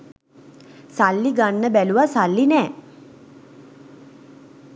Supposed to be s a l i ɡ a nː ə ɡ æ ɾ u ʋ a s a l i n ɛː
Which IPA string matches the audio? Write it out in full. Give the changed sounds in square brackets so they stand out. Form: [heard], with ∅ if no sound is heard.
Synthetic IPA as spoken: s a [lː] i ɡ a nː ə [b] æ [l] u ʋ a s a [lː] i n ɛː